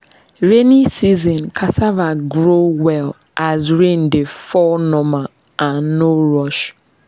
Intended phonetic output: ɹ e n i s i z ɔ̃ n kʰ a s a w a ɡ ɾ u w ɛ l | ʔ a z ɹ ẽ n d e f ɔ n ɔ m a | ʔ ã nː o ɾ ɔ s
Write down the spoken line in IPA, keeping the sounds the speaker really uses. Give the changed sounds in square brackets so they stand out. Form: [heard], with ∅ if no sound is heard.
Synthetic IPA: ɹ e n i s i z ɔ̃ n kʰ a s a [v] a ɡ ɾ [o] w ɛ l | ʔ a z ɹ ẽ n d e f ɔ n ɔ m a | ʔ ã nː o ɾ ɔ [ʃ]